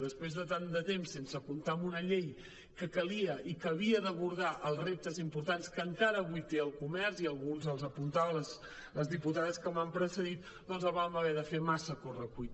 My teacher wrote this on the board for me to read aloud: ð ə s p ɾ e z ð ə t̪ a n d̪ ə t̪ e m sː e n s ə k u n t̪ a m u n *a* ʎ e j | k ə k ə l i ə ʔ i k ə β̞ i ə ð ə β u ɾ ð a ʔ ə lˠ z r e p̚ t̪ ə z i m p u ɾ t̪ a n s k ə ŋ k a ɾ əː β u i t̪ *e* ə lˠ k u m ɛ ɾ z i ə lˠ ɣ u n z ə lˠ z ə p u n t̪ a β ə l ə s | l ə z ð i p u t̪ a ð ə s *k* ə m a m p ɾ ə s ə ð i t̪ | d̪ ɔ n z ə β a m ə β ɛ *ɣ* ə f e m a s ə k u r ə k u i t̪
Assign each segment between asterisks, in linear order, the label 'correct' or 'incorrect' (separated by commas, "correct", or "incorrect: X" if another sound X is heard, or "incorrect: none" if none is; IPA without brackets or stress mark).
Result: incorrect: ə, correct, correct, incorrect: ð